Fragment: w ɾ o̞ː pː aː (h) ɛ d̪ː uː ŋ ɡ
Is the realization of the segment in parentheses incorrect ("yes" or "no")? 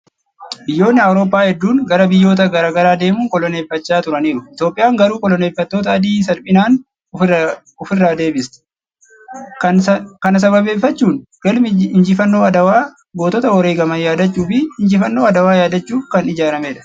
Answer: no